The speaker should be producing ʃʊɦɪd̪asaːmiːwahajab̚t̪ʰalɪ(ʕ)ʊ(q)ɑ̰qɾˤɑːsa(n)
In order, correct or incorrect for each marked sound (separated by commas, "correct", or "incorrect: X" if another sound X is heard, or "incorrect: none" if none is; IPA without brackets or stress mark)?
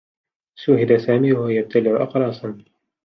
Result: correct, incorrect: ʔ, correct